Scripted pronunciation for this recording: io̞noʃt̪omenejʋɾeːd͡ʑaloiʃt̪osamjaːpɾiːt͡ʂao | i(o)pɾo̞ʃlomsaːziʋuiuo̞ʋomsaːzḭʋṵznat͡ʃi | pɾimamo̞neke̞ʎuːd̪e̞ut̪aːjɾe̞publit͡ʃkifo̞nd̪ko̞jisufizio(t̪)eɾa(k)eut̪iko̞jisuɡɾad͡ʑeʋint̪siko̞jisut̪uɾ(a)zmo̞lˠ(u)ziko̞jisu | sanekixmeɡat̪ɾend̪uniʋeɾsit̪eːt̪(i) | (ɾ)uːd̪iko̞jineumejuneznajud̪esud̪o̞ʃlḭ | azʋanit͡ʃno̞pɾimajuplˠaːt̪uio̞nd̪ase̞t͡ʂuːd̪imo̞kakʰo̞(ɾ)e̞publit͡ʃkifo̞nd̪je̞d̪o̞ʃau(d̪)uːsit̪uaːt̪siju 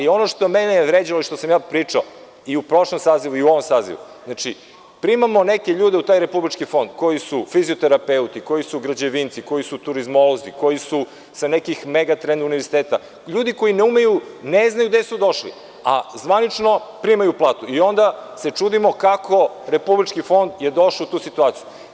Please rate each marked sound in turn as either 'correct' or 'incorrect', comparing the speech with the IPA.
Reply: incorrect: u, correct, incorrect: p, incorrect: i, incorrect: o, incorrect: a, incorrect: ʎ, correct, incorrect: t̪

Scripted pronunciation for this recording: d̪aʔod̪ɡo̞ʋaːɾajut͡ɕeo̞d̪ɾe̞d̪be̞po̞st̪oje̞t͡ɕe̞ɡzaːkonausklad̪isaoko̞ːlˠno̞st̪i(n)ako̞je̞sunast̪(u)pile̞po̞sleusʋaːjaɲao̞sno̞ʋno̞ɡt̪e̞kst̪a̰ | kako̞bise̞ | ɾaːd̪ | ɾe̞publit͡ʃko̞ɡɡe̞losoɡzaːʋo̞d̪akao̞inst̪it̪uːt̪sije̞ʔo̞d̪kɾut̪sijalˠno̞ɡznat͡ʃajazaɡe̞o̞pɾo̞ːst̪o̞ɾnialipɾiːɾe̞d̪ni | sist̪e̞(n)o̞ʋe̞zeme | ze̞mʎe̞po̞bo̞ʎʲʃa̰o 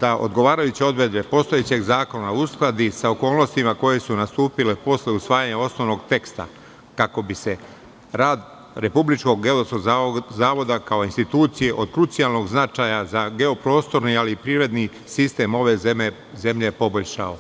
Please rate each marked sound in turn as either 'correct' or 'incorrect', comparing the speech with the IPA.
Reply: incorrect: m, incorrect: uː, incorrect: m

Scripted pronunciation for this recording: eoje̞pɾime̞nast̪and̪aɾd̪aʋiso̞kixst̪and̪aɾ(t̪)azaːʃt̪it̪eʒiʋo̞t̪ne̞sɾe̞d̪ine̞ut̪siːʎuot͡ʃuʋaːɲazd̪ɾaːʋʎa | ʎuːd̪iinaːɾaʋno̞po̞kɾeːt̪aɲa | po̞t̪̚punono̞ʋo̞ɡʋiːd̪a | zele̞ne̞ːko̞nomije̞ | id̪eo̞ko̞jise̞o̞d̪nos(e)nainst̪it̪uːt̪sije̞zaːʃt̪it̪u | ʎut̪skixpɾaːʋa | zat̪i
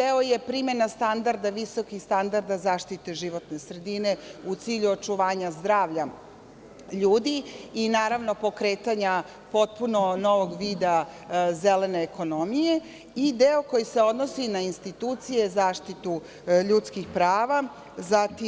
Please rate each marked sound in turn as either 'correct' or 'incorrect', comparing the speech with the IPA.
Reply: incorrect: d̪, incorrect: i

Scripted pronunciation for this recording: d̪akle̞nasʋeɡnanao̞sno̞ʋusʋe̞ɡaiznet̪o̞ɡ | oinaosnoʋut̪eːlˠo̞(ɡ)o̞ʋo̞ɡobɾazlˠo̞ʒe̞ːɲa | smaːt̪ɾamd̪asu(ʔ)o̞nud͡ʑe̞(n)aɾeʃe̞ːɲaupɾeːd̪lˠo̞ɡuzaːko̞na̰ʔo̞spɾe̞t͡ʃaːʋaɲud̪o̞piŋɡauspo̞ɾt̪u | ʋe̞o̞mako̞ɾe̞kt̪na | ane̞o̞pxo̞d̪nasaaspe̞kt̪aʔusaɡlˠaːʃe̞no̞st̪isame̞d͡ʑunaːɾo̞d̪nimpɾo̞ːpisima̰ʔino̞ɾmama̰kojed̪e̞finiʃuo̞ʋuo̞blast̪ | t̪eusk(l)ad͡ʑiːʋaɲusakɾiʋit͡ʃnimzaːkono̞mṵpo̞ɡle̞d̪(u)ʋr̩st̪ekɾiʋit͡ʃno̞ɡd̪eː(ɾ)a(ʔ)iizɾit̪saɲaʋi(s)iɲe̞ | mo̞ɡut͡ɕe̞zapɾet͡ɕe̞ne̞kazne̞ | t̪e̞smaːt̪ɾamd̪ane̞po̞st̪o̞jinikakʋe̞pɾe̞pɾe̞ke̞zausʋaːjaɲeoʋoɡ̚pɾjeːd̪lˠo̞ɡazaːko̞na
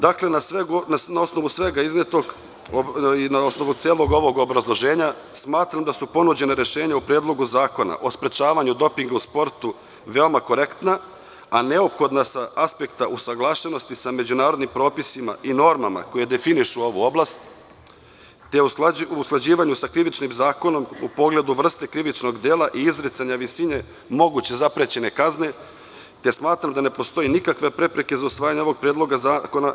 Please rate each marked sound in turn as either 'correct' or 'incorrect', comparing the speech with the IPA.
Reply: correct, incorrect: p, correct, correct, correct, incorrect: l, correct, correct

